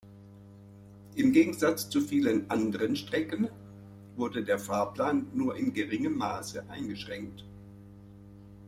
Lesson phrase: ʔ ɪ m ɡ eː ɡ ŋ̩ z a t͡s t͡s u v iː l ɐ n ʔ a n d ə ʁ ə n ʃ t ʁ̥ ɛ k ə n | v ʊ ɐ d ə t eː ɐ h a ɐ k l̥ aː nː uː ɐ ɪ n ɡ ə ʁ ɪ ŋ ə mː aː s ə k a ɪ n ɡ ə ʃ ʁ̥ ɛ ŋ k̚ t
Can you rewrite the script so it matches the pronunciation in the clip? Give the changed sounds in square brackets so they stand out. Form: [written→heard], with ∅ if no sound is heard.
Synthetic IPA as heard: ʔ ɪ m ɡ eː ɡ ŋ̩ z a t͡s t͡s u [v→f] iː l [ɐ→ə] n ʔ a n d ə ʁ ə n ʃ t ʁ̥ ɛ k ə n | v ʊ ɐ d ə [t→d] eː ɐ [h→f] a ɐ [k→p] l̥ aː nː uː ɐ ɪ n ɡ ə ʁ ɪ ŋ ə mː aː s ə [k→ʔ] a ɪ n ɡ ə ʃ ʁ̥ ɛ ŋ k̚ t